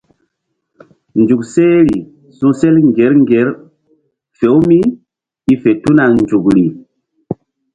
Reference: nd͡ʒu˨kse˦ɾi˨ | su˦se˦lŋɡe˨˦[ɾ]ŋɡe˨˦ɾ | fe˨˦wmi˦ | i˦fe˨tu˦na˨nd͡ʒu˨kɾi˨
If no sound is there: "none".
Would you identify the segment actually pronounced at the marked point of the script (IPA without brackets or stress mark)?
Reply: ɾ